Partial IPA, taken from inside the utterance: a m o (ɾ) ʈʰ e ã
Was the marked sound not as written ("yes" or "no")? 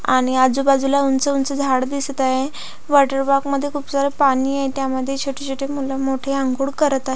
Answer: yes